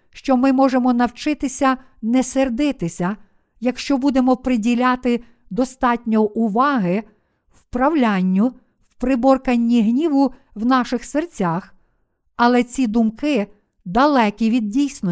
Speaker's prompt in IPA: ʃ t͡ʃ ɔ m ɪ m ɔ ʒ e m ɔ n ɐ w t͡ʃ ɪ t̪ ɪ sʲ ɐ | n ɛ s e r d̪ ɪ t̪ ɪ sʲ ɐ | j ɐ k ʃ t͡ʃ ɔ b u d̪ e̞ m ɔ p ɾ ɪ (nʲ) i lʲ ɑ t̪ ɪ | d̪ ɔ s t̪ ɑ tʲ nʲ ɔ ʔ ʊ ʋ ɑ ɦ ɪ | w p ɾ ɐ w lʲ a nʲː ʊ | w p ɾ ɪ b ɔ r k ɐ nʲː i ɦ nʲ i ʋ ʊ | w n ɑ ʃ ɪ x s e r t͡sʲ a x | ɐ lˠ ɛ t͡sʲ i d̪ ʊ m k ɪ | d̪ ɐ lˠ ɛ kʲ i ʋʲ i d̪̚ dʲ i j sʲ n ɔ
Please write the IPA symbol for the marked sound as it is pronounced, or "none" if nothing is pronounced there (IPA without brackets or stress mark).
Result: dʲ